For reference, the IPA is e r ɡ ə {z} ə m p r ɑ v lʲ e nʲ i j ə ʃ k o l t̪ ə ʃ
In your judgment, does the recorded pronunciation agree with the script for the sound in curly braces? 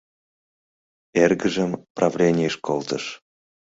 no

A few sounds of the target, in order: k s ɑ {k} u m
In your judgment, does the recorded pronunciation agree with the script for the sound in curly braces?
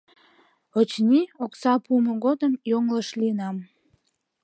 no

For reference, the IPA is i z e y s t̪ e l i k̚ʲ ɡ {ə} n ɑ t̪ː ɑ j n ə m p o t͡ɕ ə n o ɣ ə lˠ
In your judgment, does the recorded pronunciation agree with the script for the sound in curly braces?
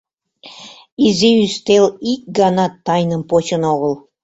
no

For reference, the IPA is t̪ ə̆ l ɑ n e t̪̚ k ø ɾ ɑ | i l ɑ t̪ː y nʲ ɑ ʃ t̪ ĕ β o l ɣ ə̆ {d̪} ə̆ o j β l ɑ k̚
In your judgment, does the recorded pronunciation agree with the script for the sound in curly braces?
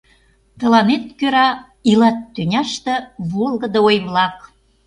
yes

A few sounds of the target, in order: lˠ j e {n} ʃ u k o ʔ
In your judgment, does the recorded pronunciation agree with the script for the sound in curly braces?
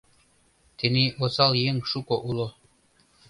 no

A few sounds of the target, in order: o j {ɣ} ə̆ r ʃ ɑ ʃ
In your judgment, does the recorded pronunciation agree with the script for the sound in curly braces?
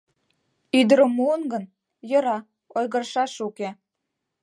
yes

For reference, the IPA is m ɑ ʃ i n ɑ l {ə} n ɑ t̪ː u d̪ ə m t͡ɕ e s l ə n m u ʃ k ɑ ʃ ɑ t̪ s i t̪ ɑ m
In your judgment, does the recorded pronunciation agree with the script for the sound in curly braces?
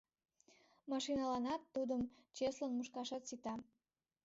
no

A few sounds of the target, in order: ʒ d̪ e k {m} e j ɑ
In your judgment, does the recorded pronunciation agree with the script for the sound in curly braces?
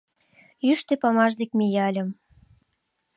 yes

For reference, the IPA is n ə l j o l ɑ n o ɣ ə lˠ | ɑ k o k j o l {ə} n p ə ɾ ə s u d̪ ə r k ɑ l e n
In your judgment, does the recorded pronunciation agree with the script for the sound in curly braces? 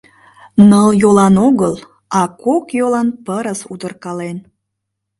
no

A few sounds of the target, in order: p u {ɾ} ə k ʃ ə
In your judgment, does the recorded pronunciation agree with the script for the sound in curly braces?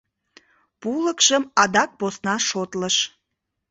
no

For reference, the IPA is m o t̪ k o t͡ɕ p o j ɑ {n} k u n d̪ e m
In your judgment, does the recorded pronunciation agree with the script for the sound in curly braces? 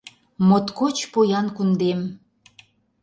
yes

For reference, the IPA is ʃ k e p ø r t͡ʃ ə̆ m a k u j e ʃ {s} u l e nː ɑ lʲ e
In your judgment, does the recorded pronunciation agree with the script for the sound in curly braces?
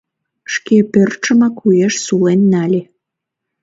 yes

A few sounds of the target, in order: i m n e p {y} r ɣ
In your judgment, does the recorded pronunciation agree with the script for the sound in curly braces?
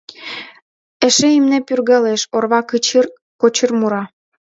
yes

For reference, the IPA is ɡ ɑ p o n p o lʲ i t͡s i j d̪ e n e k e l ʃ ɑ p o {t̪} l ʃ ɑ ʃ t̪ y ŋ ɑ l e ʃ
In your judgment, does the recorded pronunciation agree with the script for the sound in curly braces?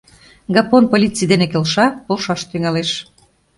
no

